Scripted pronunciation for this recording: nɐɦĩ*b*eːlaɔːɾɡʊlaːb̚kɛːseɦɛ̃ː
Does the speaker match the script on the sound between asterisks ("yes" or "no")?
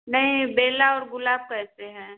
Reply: yes